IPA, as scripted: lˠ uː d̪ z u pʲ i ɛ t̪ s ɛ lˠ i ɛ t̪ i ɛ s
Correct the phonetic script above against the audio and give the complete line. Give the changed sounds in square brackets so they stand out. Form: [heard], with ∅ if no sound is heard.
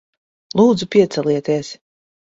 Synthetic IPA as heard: lˠ uː d̪ z u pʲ i ɛ t̪ s ɛ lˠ i ɛ t̪ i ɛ s